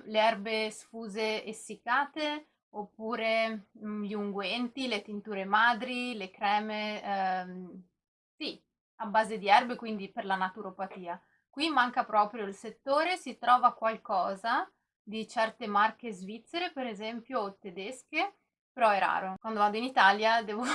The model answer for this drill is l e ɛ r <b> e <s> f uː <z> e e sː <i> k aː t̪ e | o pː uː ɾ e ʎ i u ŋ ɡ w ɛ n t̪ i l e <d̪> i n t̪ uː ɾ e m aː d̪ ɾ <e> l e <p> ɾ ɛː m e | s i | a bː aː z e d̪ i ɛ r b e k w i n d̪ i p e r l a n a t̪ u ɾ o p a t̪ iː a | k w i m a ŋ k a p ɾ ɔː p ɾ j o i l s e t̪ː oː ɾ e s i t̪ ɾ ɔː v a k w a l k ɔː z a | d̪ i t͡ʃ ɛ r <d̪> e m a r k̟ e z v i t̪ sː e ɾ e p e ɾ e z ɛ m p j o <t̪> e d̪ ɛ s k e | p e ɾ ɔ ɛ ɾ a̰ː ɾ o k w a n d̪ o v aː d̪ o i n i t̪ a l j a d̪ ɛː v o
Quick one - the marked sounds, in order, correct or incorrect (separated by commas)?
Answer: correct, correct, correct, correct, incorrect, incorrect, incorrect, incorrect, correct